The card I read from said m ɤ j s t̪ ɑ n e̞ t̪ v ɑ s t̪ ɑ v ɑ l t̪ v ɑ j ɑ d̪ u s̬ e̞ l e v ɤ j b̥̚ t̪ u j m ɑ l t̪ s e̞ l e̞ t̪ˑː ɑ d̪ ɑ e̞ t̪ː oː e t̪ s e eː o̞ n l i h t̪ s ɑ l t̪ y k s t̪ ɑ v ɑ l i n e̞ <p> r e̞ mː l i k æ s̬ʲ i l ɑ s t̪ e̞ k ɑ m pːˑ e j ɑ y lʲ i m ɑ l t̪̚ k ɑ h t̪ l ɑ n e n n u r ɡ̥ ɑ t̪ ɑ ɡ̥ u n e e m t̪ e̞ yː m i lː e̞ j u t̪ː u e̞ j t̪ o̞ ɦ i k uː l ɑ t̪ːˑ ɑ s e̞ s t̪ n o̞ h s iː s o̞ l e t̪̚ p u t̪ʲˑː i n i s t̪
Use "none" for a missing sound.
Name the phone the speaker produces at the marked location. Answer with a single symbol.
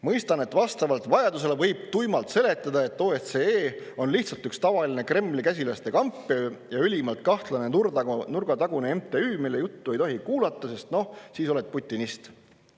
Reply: k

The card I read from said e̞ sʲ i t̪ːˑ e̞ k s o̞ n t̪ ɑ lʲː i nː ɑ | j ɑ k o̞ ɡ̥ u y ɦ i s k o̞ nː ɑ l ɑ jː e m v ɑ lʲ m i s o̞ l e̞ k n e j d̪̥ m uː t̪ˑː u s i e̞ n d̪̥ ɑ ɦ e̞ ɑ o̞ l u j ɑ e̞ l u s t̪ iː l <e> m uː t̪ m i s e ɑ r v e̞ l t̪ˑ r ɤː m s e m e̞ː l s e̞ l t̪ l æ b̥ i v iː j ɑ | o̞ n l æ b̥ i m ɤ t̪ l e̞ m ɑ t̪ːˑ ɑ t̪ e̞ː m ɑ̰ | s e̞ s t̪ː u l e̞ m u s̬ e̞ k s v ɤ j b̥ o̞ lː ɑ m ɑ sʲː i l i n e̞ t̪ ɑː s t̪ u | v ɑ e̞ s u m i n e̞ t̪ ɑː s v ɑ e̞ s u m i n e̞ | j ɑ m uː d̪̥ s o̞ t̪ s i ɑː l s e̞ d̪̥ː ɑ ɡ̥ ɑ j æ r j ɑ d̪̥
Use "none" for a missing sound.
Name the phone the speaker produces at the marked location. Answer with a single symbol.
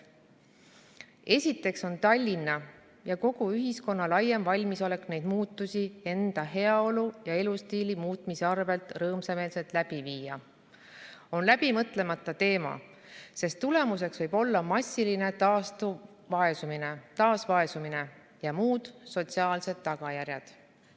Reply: i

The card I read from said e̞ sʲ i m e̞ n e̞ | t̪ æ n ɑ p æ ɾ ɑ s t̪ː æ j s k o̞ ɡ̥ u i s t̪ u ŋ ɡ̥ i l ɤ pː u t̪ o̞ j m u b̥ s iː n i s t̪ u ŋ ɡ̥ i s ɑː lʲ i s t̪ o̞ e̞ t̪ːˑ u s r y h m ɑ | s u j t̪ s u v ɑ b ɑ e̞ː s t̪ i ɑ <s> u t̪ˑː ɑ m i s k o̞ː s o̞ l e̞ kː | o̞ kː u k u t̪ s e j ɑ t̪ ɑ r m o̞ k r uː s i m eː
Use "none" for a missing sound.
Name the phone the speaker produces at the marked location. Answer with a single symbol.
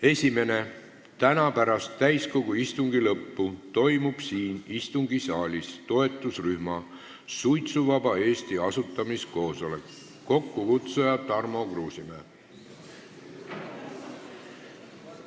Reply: s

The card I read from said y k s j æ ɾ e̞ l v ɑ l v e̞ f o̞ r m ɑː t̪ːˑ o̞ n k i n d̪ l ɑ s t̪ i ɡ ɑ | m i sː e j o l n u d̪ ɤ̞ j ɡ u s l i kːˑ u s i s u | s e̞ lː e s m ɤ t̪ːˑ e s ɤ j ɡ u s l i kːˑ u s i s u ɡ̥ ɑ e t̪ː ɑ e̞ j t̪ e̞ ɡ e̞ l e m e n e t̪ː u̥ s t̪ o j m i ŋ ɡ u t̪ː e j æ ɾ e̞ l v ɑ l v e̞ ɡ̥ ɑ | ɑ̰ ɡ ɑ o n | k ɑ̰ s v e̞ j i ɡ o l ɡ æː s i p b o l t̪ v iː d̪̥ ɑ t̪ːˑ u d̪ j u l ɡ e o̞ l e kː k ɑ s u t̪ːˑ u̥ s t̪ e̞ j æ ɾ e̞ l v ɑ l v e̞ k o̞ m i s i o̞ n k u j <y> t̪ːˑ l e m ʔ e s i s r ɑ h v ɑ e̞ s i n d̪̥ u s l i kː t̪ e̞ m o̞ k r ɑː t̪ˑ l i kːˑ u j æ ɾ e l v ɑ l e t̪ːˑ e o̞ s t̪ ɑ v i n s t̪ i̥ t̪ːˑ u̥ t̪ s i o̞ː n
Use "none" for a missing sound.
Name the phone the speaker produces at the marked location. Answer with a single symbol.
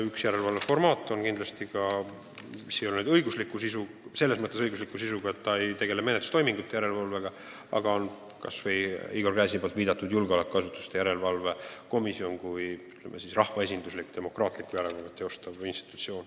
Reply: y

